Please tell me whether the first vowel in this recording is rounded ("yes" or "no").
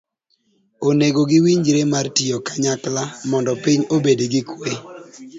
yes